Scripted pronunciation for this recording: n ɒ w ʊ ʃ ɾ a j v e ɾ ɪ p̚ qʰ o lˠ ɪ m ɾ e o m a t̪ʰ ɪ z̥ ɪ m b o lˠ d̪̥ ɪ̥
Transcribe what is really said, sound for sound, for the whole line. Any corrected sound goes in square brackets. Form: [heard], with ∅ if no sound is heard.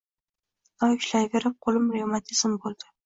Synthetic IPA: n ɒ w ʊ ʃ [l] a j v e ɾ ɪ p̚ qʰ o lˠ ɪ m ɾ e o m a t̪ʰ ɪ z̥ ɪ m b o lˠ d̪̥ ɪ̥